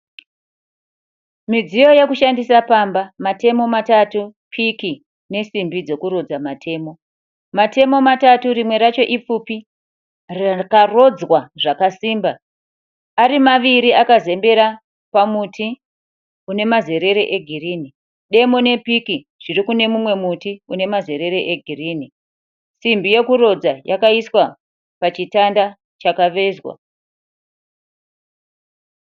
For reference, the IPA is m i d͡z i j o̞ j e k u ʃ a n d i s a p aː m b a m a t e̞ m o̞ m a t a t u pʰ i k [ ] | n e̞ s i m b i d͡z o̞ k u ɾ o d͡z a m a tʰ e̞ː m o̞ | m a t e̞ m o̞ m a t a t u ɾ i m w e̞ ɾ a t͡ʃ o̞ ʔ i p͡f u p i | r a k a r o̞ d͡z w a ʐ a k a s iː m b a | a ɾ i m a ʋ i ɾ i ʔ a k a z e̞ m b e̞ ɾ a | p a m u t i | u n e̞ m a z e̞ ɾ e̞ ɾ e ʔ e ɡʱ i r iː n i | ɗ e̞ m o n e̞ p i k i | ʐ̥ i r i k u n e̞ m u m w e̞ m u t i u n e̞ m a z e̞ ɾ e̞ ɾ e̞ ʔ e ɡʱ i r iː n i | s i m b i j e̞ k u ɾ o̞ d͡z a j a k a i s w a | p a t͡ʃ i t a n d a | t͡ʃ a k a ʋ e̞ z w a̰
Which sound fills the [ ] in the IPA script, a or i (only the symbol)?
i